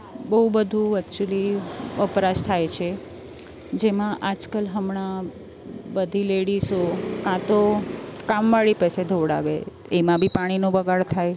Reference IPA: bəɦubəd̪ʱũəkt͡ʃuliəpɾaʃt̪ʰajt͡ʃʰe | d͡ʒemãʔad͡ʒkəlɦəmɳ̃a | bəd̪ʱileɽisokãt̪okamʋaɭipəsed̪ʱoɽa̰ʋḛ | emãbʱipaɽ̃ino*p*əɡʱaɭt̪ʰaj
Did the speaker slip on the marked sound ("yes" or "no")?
yes